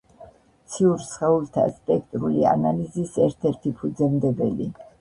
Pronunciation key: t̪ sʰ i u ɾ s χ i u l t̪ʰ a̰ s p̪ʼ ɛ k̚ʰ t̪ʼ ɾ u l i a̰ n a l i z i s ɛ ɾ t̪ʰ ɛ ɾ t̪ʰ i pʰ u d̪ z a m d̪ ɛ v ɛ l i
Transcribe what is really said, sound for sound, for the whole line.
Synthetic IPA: t̪ sʰ i u ɾ s χ ɛ u l t̪ʰ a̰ s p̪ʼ ɛ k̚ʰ t̪ʼ ɾ u l i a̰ n a l i z i s ɛ ɾ t̪ʰ ɛ ɾ t̪ʰ i pʰ u d̪ z ɛ m d̪ ɛ b ɛ l i